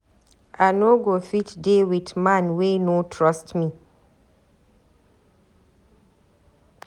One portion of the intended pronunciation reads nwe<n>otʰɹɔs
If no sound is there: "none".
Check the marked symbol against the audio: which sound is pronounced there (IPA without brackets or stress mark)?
n